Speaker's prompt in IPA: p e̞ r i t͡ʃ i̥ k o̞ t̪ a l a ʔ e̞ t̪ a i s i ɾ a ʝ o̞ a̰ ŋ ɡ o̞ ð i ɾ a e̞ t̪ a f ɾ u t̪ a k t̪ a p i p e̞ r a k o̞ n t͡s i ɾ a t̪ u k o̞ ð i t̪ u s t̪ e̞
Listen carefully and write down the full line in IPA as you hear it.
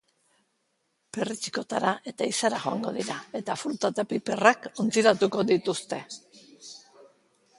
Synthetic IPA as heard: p e̞ r i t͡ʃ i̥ k o̞ t̪ a ɾ a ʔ e̞ t̪ a i s a ɾ a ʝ o̞ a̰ ŋ ɡ o̞ ð i ɾ a e̞ t̪ a f ɾ u t̪ a t̪ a p i p e̞ r a k o̞ n t͡s i ɾ a t̪ u k o̞ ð i t̪ u s t̪ e̞